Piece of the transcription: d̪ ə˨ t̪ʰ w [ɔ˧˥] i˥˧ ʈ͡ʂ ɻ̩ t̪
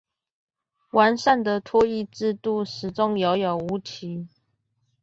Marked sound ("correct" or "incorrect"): incorrect